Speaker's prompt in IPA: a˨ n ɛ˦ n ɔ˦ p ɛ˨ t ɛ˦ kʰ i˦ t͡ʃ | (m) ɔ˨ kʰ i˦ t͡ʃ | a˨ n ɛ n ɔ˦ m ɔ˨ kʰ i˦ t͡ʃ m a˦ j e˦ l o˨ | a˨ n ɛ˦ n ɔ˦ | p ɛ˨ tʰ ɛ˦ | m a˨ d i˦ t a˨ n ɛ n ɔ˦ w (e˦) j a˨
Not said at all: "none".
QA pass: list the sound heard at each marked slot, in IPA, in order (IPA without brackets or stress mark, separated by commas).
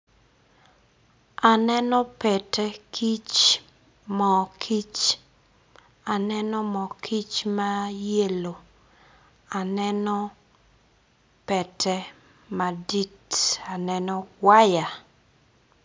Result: m, a˦